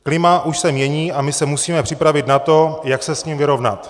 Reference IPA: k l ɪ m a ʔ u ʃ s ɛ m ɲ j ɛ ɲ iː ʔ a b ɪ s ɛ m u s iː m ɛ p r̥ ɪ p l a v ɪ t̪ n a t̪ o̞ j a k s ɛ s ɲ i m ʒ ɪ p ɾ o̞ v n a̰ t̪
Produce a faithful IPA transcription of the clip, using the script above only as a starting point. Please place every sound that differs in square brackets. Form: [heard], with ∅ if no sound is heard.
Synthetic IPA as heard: k l ɪ m a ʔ u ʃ s ɛ m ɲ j ɛ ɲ iː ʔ a [m] ɪ s ɛ m u s iː m ɛ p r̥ ɪ p [ɾ] a v ɪ t̪ n a t̪ o̞ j a k s ɛ s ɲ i m [v] ɪ [∅] ɾ o̞ v n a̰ t̪